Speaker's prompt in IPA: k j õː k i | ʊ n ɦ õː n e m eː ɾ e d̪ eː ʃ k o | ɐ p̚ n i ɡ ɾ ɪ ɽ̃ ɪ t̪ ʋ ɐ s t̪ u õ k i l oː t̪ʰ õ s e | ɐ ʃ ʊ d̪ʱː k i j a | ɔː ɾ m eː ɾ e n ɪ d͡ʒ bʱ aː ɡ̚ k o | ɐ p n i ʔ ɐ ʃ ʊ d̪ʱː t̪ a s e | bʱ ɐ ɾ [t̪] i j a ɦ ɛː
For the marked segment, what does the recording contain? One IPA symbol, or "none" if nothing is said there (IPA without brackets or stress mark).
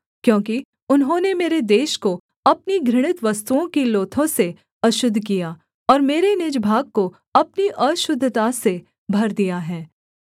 d̪